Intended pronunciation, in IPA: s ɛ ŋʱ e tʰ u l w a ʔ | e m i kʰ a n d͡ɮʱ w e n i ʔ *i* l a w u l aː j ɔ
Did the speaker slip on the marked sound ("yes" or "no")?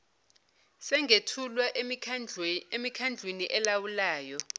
yes